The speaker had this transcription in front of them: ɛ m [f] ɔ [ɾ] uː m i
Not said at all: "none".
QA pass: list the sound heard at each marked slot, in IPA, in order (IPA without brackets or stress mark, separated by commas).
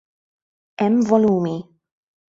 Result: v, l